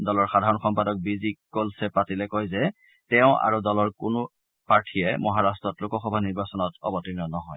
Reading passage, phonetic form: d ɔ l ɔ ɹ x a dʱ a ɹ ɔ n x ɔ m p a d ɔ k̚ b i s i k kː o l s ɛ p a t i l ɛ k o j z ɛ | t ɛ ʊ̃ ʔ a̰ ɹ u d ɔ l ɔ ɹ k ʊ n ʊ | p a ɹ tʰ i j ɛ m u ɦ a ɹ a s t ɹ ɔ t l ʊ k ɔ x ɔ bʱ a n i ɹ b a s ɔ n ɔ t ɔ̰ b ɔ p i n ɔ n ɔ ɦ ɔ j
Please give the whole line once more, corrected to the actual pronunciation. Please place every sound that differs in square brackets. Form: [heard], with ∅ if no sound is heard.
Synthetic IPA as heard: d ɔ l ɔ ɹ x a dʱ a ɹ ɔ n x ɔ m p a d ɔ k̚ b i [z] i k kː o l s ɛ p a t i l ɛ k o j z ɛ | t ɛ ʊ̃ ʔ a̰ ɹ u d ɔ l ɔ ɹ k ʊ n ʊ | p a ɹ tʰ i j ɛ m [ɔ] ɦ a ɹ a s t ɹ ɔ t l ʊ k ɔ x ɔ bʱ a n i ɹ b a s ɔ n ɔ t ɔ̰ b ɔ [t] i n ɔ n ɔ ɦ ɔ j